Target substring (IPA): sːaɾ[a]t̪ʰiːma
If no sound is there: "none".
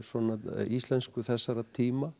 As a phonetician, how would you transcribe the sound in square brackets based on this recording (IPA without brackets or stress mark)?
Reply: a